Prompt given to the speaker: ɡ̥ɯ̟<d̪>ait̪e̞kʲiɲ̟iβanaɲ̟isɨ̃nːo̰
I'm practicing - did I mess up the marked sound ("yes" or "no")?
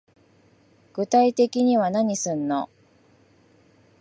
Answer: yes